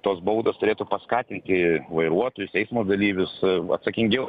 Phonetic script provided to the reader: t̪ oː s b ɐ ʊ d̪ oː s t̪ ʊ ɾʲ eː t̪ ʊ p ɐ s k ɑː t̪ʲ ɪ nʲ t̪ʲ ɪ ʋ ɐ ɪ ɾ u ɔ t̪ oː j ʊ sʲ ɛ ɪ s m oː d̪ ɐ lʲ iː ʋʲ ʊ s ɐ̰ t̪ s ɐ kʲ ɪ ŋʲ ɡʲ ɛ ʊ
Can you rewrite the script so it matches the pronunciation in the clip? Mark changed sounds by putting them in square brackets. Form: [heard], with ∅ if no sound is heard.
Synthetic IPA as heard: t̪ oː s b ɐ ʊ d̪ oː s t̪ ʊ ɾʲ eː t̪ ʊ p ɐ s k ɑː t̪ʲ ɪ nʲ t̪ʲ ɪ ʋ ɐ ɪ ɾ u ɔ t̪ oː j ʊ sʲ ɛ ɪ s m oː d̪ ɐ lʲ iː ʋʲ ʊ s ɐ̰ t̪ s ɐ kʲ ɪ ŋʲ ɡʲ ɛ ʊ